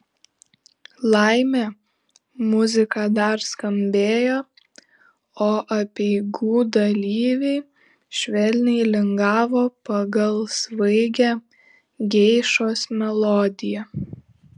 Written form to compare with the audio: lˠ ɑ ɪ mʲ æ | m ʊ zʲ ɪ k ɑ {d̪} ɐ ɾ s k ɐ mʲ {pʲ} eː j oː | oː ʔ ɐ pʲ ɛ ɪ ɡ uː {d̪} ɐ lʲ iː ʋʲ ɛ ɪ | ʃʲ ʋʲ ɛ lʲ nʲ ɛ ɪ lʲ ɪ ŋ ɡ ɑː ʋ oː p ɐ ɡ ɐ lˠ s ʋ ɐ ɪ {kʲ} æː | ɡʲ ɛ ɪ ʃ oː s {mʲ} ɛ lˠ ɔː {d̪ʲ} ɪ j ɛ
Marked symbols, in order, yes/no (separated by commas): yes, no, yes, no, yes, yes